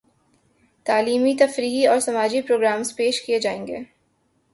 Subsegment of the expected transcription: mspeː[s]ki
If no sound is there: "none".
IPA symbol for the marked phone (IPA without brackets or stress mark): ʃ